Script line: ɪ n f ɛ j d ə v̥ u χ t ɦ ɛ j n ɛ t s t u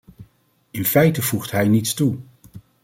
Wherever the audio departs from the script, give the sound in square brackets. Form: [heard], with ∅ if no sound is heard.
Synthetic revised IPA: ɪ n f ɛ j [t] ə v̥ u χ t ɦ ɛ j n [i] t s t u